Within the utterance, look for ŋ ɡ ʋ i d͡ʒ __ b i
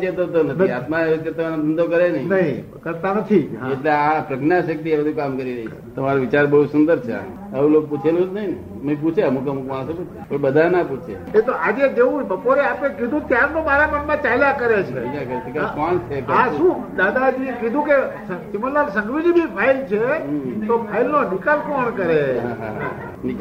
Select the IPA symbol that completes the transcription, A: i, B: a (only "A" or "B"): A